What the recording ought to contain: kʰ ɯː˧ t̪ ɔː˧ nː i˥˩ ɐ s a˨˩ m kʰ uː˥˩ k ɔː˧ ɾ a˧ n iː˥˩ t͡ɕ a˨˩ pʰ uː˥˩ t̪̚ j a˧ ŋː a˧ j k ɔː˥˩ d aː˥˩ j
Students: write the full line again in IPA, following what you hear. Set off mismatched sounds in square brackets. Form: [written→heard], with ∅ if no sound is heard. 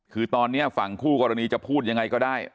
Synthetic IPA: kʰ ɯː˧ t̪ ɔː˧ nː [i˥˩→i˦˥] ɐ [s→f] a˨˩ [m→ŋ] kʰ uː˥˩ k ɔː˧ ɾ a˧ n [iː˥˩→iː˧] t͡ɕ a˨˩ pʰ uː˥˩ t̪̚ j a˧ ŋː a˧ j k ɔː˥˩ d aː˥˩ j

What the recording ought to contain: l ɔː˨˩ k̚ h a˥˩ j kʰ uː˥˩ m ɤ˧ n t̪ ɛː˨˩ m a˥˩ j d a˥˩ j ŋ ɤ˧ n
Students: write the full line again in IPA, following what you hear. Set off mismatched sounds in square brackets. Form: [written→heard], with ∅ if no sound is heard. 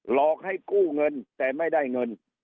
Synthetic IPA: l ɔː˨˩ k̚ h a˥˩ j [kʰ→k] uː˥˩ [m→ŋ] ɤ˧ n t̪ ɛː˨˩ m a˥˩ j d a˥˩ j ŋ ɤ˧ n

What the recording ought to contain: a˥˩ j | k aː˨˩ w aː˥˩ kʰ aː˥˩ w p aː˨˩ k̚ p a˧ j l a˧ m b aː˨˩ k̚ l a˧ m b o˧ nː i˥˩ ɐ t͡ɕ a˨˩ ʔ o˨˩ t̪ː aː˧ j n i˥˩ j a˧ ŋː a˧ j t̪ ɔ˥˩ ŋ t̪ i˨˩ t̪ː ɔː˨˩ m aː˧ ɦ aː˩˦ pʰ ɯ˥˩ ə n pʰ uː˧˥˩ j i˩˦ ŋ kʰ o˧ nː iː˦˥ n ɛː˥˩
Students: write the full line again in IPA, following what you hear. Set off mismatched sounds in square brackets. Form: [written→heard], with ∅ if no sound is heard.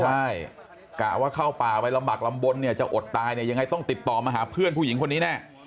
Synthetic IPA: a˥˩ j | k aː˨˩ w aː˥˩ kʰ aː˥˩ w p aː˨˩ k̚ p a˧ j l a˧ m b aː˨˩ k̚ l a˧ m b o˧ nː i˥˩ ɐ t͡ɕ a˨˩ ʔ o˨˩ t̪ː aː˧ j n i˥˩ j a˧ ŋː a˧ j t̪ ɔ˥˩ ŋ t̪ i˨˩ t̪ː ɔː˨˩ m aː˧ ɦ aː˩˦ pʰ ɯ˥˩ ə n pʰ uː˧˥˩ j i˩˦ ŋ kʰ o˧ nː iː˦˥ n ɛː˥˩

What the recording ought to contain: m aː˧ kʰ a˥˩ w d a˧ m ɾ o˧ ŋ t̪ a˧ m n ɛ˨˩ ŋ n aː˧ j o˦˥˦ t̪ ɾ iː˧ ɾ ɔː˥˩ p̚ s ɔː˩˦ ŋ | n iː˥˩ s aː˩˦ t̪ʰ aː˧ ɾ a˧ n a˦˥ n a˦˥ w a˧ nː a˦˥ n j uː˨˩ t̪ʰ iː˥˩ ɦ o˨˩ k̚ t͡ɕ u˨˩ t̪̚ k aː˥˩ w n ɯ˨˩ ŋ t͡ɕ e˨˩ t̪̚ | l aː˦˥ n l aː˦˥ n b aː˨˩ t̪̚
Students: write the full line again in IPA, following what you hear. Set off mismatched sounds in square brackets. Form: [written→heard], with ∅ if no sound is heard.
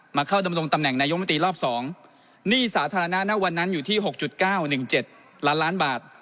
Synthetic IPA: m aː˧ kʰ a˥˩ w d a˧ m ɾ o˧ ŋ t̪ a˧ m n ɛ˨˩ ŋ n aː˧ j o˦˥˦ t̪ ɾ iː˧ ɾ ɔː˥˩ p̚ s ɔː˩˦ ŋ | n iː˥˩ s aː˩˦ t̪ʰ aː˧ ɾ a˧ n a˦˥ n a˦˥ w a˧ nː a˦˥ n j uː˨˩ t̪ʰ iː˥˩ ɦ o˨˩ k̚ t͡ɕ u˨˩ t̪̚ k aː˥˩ w n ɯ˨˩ ŋ t͡ɕ e˨˩ t̪̚ | l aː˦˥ n l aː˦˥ n b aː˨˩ t̪̚

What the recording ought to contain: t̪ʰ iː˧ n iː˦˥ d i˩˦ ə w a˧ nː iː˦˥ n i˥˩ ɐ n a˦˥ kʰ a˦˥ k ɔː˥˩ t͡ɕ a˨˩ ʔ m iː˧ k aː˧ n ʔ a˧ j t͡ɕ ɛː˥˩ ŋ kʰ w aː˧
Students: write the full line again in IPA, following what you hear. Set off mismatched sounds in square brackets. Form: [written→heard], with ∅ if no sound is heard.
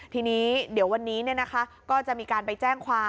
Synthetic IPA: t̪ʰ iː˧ n iː˦˥ d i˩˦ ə w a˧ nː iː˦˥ n i˥˩ ɐ n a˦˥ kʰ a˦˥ k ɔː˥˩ t͡ɕ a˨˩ ʔ m iː˧ k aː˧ n [ʔ→p] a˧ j t͡ɕ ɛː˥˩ ŋ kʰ w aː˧

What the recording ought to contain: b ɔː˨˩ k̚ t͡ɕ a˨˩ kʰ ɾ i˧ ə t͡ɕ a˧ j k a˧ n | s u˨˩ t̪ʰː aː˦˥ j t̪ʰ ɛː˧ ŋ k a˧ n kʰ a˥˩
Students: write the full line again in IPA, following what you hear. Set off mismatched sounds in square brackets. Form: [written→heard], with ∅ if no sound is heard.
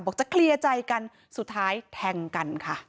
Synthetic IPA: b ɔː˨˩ k̚ t͡ɕ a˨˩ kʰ [ɾ→l] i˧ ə t͡ɕ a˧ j k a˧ n | s u˨˩ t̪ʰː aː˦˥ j t̪ʰ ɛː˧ ŋ k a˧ n kʰ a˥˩

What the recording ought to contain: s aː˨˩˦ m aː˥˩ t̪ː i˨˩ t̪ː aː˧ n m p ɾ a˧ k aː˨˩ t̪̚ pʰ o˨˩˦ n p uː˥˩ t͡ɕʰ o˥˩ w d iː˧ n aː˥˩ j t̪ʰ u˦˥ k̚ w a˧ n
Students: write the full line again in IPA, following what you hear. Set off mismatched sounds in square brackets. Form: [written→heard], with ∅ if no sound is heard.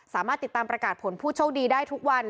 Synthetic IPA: s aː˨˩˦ m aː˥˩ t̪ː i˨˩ t̪ː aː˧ [n→∅] m p ɾ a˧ k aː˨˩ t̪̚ pʰ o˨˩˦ n [p→pʰ] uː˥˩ t͡ɕʰ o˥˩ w d iː˧ [n→d] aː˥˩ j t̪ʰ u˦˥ k̚ w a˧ n

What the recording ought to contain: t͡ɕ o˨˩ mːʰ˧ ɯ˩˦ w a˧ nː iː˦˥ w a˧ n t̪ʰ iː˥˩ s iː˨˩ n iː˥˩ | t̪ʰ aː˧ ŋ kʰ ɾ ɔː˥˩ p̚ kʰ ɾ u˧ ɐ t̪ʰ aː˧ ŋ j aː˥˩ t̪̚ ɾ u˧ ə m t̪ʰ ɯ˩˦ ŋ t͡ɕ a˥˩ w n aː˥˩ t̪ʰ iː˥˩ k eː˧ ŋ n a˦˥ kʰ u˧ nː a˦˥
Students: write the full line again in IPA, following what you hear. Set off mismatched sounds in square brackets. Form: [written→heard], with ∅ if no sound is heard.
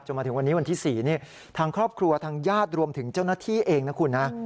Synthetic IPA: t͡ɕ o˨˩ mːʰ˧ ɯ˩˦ w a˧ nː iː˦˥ w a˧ n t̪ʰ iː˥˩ s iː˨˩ n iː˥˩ | t̪ʰ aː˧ ŋ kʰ ɾ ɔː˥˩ p̚ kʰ ɾ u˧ ɐ t̪ʰ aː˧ ŋ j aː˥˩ t̪̚ ɾ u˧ ə m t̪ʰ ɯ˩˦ ŋ t͡ɕ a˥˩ w n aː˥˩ t̪ʰ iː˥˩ [k→ʔ] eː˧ ŋ n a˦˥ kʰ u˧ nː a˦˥

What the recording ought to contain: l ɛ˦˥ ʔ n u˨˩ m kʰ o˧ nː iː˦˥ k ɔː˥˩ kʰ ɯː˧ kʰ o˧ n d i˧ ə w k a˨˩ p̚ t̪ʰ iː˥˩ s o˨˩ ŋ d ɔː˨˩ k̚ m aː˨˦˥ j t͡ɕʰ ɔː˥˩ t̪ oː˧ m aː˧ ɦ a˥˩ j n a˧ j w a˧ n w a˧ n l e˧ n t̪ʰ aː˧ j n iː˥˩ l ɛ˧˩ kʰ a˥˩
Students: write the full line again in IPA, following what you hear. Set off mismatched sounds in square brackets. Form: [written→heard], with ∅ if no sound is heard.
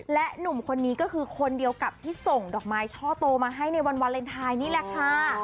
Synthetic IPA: l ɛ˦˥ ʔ n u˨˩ m kʰ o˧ nː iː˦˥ k ɔː˥˩ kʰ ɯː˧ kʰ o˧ n d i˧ ə w k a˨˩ p̚ t̪ʰ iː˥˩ s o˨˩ ŋ d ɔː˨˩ k̚ m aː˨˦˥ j t͡ɕʰ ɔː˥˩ t̪ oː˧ m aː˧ ɦ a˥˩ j n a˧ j w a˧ n w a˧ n l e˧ n t̪ʰ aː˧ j n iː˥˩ l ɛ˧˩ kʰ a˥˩

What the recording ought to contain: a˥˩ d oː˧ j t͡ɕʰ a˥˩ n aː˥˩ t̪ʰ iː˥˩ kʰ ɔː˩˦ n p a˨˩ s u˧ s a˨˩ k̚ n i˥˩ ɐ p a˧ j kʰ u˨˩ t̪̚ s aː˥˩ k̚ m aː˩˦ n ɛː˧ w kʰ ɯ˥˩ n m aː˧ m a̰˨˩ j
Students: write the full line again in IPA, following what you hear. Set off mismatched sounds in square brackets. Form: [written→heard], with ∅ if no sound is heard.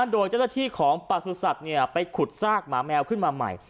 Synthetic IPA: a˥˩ d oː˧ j [t͡ɕʰ→t͡ɕ] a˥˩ n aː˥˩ t̪ʰ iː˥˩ kʰ ɔː˩˦ [n→ŋ] p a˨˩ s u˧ s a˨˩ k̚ n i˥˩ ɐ p a˧ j kʰ u˨˩ t̪̚ s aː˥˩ k̚ m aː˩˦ [n→m] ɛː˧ w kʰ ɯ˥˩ n m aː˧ m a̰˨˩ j

